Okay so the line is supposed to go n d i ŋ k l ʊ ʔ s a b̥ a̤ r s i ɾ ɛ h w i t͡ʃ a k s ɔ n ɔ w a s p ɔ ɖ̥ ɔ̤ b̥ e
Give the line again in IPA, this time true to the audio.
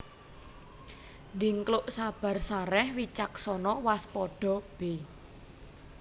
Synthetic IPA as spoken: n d i ŋ k l ʊ ʔ s a b̥ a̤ r s a ɾ ɛ h w i t͡ʃ a k s ɔ n ɔ w a s p ɔ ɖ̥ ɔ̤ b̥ e

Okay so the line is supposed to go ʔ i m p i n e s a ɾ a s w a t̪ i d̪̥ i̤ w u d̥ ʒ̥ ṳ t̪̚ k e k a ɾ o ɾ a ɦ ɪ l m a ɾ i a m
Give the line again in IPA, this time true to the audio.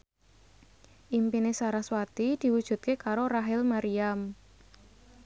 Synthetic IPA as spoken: ʔ i m p i n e s a ɾ a s w a t̪ i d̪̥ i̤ w u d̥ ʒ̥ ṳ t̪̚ k e k a ɾ o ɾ a ɦ ɪ l m a ɾ i a m

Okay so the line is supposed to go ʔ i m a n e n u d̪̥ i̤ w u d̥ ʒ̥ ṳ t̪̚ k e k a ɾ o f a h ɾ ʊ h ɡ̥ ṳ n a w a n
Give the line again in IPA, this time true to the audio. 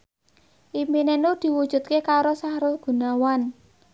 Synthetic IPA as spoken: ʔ i m i n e n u d̪̥ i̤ w u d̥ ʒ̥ ṳ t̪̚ k e k a ɾ o s a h ɾ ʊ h ɡ̥ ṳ n a w a n

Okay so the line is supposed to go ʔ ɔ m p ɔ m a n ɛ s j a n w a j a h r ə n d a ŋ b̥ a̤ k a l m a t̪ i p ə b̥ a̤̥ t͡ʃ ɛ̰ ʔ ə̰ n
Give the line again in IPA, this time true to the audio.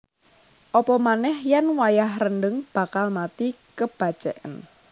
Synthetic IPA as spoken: ʔ ɔ p ɔ m a n ɛ h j a n w a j a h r ə n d ə ŋ b̥ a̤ k a l m a t̪ i k ə b̥ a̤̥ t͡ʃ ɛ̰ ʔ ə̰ n

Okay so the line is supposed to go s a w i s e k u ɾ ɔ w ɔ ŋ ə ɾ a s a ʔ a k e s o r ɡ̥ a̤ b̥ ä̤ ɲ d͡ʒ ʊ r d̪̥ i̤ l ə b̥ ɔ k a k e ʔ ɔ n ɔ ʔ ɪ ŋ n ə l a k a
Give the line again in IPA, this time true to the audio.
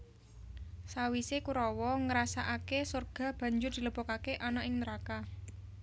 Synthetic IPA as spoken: s a w i s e k u ɾ ɔ w ɔ ŋ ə ɾ a s a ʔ a k e s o r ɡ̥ a̤ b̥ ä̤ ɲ d͡ʒ ʊ r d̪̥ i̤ l ə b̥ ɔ k a k e ʔ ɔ n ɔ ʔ ɪ ŋ n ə ɾ a k a

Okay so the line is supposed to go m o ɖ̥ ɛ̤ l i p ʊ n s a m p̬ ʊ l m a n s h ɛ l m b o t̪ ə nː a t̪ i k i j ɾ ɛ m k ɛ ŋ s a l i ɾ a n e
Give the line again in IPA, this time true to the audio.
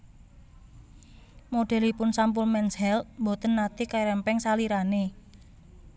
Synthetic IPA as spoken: m o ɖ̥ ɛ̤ l i p ʊ n s a m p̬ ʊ l m ɛ n s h ɛ l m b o t̪ ə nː a t̪ i k a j ɾ ɛ m p ɛ ŋ s a l i ɾ a n e

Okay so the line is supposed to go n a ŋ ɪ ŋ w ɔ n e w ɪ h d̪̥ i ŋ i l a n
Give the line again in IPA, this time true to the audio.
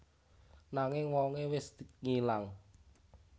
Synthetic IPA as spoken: n a ŋ ɪ ŋ w ɔ ŋ e w ɪ s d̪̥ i ŋ i l a ŋ

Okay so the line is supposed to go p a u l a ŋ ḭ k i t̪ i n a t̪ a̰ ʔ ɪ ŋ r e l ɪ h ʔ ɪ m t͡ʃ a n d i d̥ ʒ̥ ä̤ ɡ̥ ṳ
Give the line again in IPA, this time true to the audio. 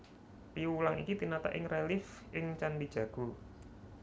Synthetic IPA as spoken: p i u l a ŋ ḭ k i t̪ i n a t̪ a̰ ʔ ɪ ŋ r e l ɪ f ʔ ɪ ŋ t͡ʃ a n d i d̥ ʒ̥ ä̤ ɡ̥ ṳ

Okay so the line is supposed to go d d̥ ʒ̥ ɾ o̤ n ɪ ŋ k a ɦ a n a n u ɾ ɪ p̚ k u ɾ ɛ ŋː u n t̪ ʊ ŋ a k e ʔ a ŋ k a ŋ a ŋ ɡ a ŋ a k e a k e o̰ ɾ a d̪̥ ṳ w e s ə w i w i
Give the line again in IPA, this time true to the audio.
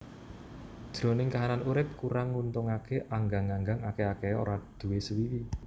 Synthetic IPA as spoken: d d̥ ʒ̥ ɾ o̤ n ɪ ŋ k a ɦ a n a n u ɾ ɪ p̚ k u ɾ a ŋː u n t̪ ʊ ŋ a k e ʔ a ŋ ɡ a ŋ a ŋ ɡ a ŋ a k e a k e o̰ ɾ a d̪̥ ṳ w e s ə w i w i

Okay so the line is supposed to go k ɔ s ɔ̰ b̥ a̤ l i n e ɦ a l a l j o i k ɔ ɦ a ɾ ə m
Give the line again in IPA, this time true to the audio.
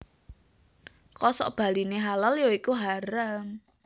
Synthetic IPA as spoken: k ɔ s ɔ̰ b̥ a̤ l i n e ɦ a l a l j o i k u ɦ a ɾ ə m

